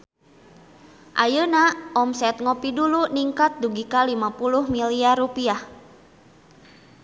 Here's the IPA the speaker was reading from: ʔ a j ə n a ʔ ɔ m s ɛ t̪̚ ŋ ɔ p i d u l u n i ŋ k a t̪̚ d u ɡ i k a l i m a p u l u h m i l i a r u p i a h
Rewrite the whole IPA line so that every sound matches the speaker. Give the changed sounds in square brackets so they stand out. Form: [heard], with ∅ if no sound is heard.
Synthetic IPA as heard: ʔ a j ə n a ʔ ɔ m s ɛ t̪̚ ŋ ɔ p i d u l u n i ŋ k a t̪̚ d u ɡ i k a l i m a p u l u h m i l i a r u p i a h